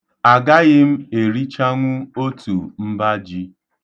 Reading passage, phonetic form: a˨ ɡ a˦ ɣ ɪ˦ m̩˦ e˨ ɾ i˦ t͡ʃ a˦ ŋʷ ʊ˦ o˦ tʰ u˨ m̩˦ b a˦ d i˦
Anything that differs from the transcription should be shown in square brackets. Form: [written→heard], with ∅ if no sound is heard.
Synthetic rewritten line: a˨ ɡ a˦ ɣ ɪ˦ m̩˦ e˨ ɾ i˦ t͡ʃ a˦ ŋʷ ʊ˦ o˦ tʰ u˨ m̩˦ b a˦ [d→d͡ʒ] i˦